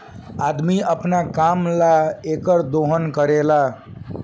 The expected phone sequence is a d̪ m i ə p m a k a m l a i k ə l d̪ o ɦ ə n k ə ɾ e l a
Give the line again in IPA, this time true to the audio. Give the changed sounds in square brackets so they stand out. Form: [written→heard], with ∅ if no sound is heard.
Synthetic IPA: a d̪ m i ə p [m→n] a k a m l a [i→e] k ə [l→ɾ] d̪ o ɦ ə n k ə ɾ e l a